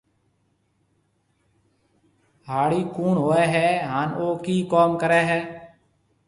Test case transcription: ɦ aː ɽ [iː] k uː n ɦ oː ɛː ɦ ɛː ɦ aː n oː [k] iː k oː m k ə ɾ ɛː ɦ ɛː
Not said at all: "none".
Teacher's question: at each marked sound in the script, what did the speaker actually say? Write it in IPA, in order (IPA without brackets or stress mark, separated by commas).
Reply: iː, k